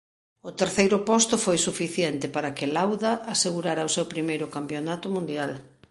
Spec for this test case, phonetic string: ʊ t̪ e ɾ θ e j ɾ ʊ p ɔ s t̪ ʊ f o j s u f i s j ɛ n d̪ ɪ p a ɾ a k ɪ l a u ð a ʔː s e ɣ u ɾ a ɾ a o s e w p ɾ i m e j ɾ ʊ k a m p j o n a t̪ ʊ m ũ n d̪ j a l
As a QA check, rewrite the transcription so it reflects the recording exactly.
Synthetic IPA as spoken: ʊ t̪ e ɾ θ e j ɾ ʊ p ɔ s t̪ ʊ f o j s u f i θ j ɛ n t̪ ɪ p a ɾ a k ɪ l a w ð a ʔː s e ɣ u ɾ a ɾ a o s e w p ɾ i m e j ɾ ʊ k a m p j o n a t̪ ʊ m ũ n d̪ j a l